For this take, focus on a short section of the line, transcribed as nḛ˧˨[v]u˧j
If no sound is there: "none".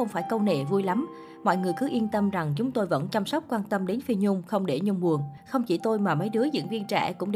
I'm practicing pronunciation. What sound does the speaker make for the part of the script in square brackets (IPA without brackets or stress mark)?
v